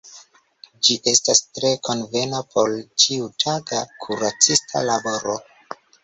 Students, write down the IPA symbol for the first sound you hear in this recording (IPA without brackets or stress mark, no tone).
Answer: d͡ʒ